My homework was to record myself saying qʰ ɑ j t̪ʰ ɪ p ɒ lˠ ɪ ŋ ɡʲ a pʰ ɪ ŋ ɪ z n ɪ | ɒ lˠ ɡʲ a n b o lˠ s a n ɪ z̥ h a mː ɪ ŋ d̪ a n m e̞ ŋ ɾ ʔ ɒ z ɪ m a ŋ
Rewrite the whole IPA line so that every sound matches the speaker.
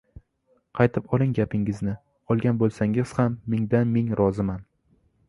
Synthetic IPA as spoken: qʰ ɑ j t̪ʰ ɪ p ɒ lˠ ɪ ŋ ɡʲ a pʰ ɪ ŋ ɪ z n ɪ | ɒ lˠ ɡʲ a n b o lˠ s a ŋ ɪ z̥ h a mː ɪ ŋ d̪ a n m e̞ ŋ ɾ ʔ ɒ z ɪ m a n